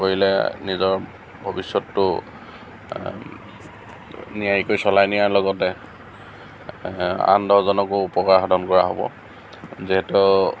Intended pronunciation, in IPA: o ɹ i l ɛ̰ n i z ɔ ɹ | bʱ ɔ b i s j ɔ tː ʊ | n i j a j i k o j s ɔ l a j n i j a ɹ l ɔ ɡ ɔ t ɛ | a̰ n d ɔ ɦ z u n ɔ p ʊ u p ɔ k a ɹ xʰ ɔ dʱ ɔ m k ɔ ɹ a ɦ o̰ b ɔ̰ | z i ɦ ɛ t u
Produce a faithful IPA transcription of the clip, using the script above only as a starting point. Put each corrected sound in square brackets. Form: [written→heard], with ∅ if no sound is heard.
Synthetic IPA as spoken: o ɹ i l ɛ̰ n i z ɔ ɹ | bʱ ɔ b i s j ɔ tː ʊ | n i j a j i k o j s ɔ l a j n i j a ɹ l ɔ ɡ ɔ t ɛ | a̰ n d ɔ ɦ z [u→ɔ] n ɔ [p→k] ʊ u p ɔ k a ɹ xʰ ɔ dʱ ɔ [m→n] k ɔ ɹ a ɦ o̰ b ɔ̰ | z i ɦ ɛ t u